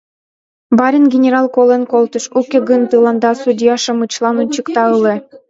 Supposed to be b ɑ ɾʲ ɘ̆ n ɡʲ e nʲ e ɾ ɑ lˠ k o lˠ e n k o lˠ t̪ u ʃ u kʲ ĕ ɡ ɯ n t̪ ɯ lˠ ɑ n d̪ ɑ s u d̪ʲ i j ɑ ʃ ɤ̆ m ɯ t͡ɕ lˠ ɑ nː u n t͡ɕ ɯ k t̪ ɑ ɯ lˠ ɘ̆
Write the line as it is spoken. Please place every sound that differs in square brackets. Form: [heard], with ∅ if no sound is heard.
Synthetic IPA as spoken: b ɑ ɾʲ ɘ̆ n ɡʲ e nʲ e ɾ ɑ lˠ k o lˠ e n k o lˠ t̪ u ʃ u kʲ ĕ ɡ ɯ n t̪ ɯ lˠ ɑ n d̪ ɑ s u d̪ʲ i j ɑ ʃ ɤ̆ m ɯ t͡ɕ lˠ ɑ [n] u n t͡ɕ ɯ k t̪ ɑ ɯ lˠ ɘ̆